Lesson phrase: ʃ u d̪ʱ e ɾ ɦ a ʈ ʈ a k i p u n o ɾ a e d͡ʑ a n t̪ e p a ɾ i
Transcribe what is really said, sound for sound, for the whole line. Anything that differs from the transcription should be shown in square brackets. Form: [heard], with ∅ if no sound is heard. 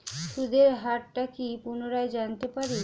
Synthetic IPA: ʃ u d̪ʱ e ɾ ɦ a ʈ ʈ a k i p u n o ɾ a e d͡ʑ a n t̪ e p a ɾ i

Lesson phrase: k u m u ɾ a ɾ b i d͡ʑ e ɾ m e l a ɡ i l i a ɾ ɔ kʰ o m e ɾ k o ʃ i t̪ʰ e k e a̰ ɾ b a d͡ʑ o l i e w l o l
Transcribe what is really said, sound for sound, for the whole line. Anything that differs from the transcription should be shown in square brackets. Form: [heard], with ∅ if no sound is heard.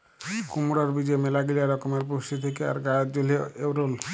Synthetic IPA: k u m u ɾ a ɾ b i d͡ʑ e [∅] m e l a ɡ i l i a ɾ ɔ [k] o m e ɾ [p] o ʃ i t̪ʰ e k e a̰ ɾ [ɡ] a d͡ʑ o l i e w [ɾ] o l

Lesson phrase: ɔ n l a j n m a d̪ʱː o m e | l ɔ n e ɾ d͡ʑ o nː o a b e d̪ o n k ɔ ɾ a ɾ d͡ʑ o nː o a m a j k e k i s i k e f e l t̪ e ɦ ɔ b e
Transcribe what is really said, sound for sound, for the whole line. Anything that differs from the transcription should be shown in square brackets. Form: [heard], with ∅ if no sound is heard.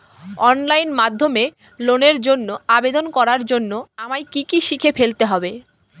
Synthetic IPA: ɔ n l a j n m a d̪ʱː o m e | l [o] n e ɾ d͡ʑ o nː o a b e d̪ o n k ɔ ɾ a ɾ d͡ʑ o nː o a m a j k [i] k i [ʃ] i [kʰ] e f e l t̪ e ɦ ɔ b e

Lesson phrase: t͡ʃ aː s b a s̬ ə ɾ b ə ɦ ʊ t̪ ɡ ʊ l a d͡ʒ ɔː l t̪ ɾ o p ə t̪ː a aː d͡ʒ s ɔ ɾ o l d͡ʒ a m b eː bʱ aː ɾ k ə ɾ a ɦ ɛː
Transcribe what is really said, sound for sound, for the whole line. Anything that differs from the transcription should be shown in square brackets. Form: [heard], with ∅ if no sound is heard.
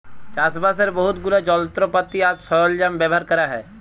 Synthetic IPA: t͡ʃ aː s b a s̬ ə ɾ b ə ɦ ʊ t̪ ɡ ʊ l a d͡ʒ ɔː l t̪ ɾ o p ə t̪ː [i] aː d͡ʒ s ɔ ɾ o l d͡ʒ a m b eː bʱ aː ɾ k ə ɾ a ɦ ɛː

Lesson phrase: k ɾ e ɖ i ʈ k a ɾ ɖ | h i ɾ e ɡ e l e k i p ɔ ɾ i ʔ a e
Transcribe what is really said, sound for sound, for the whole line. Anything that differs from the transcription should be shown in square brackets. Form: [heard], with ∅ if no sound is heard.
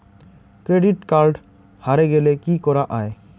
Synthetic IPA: k ɾ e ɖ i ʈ k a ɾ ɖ | h [a] ɾ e ɡ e l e k i [k] ɔ ɾ [a] ʔ a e

